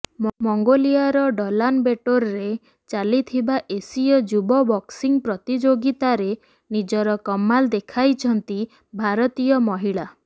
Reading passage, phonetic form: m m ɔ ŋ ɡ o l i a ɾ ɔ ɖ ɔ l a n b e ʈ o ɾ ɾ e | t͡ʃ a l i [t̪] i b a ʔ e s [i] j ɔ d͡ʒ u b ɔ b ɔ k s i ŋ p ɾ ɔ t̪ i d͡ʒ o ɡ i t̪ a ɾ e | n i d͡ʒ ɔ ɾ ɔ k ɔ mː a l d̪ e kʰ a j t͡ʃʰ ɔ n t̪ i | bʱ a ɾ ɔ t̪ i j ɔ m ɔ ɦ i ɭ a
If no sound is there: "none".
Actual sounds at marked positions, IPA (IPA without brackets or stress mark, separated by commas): t̪ʰ, i